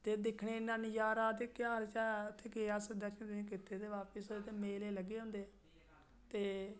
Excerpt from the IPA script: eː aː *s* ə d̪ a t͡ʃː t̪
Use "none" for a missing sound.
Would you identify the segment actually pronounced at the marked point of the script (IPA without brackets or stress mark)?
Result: s